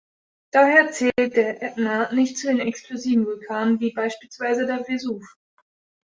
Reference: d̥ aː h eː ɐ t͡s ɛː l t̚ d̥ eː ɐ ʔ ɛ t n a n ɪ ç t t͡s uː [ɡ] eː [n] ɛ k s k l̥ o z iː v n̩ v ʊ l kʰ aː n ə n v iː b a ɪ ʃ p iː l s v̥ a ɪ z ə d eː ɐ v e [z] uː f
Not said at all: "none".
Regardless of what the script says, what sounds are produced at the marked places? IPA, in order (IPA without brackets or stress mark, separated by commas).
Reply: d, n, z